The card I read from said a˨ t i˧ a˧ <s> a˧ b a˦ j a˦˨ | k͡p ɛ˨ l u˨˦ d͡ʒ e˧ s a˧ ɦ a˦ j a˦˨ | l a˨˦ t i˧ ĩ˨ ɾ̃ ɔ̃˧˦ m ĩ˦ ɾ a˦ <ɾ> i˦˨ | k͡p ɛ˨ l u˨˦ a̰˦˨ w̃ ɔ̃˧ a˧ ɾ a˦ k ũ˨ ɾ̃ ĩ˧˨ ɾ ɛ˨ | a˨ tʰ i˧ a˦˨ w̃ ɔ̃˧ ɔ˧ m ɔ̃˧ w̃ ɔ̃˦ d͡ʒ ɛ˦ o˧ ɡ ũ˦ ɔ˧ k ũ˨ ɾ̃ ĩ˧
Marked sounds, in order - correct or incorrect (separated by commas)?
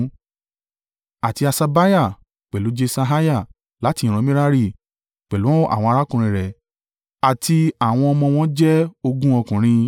correct, correct